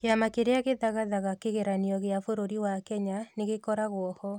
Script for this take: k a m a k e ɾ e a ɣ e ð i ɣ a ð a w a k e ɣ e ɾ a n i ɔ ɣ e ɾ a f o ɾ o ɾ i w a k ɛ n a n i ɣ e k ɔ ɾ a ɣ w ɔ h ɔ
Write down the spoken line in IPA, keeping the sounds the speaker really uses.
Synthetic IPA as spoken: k a m a k e ɾ e a ɣ e ð a ɣ a ð a ɣ a k e ɣ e ɾ a n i ɔ ɣ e a f o ɾ o ɾ i w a k ɛ ɲ a n e ɣ e k ɔ ɾ a ɣ w ɔ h ɔ